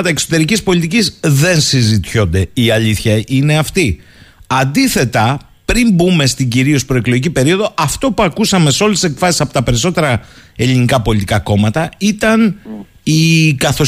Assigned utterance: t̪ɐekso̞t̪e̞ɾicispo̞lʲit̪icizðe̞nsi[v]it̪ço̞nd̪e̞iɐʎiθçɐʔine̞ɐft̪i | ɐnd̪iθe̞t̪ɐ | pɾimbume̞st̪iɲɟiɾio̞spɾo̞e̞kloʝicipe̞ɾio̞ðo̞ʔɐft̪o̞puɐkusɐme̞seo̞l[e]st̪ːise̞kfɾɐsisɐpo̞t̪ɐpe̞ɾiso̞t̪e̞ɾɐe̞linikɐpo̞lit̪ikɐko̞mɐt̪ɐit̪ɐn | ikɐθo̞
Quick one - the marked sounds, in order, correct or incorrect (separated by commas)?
incorrect, correct